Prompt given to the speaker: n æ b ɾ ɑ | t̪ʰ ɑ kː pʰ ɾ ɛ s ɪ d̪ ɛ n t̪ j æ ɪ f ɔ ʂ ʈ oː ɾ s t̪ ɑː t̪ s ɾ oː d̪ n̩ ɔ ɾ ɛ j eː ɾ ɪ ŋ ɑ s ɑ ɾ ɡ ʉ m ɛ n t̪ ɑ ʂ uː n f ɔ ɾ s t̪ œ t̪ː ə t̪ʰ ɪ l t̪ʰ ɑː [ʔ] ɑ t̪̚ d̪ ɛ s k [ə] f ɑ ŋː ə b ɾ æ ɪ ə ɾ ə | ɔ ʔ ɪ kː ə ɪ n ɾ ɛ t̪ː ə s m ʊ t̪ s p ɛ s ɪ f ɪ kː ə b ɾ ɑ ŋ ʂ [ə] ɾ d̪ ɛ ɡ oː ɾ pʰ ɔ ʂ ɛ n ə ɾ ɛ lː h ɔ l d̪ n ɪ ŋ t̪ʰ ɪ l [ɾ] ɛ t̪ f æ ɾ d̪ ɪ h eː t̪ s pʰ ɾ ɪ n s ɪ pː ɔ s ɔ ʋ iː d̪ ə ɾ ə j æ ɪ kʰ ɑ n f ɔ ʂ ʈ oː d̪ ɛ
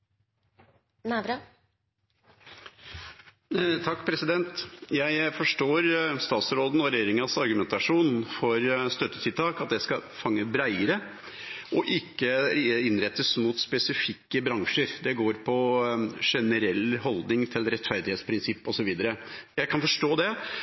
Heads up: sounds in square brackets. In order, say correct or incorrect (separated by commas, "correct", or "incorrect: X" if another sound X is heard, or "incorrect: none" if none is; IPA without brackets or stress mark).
incorrect: k, incorrect: ɑ, correct, correct